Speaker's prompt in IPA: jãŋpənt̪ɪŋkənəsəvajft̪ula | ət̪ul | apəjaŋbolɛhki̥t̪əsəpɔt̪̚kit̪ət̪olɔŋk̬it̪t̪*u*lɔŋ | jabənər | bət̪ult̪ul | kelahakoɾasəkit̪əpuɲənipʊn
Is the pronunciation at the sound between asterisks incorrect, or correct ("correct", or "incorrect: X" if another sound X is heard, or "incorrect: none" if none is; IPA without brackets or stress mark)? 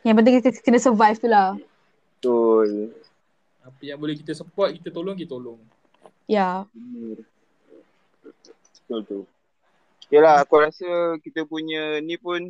incorrect: o